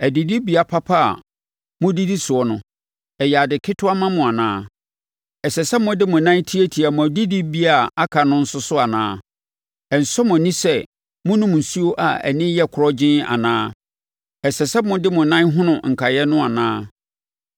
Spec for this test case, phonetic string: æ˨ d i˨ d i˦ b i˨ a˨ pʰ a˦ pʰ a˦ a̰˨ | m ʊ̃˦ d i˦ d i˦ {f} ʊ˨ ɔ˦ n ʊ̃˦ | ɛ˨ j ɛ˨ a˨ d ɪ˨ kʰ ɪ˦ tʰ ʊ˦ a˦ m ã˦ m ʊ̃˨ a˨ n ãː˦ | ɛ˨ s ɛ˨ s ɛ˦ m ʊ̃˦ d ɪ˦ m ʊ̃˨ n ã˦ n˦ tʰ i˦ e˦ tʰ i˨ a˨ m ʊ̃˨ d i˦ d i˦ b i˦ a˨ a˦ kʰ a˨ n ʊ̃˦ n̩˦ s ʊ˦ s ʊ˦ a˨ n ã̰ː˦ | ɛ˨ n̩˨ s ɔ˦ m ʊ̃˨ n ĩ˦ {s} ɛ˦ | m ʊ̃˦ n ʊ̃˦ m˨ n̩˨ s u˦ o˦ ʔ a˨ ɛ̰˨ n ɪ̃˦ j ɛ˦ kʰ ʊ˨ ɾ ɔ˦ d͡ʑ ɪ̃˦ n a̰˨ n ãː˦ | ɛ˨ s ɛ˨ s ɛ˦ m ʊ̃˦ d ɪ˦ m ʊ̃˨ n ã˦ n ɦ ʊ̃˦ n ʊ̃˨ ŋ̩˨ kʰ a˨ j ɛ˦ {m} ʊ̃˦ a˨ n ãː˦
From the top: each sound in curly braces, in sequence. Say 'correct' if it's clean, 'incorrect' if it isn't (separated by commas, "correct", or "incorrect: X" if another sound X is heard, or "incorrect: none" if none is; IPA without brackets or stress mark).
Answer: incorrect: s, correct, incorrect: n